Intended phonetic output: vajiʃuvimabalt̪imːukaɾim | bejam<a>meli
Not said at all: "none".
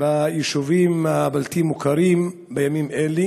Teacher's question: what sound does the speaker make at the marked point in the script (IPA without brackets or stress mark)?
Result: i